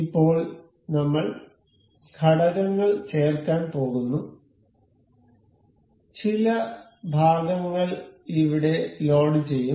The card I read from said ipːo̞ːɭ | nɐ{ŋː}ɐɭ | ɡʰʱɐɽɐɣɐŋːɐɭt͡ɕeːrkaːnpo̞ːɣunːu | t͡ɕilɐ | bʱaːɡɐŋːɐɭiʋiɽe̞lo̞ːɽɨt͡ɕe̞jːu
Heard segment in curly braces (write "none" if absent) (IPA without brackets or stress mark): mː